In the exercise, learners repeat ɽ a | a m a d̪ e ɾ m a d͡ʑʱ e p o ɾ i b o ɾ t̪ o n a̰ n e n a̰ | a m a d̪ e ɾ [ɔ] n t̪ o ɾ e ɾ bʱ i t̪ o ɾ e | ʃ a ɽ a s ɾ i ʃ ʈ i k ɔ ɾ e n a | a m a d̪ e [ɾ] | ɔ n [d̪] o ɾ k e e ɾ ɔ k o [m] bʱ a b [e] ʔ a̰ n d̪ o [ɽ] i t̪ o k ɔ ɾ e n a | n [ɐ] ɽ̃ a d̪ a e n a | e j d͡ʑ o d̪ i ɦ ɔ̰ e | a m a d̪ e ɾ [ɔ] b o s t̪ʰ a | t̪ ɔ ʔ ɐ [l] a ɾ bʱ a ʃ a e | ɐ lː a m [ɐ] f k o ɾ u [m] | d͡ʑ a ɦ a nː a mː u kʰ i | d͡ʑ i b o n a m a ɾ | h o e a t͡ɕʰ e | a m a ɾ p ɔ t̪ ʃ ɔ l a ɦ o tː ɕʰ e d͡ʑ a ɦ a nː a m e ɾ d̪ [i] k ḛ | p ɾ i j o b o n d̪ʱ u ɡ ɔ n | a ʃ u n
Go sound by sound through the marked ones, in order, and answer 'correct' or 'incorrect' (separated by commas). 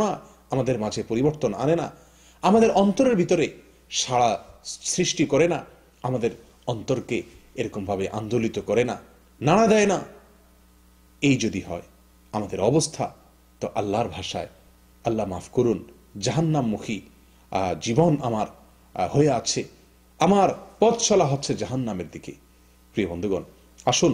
correct, correct, incorrect, correct, correct, incorrect, incorrect, correct, incorrect, incorrect, incorrect, correct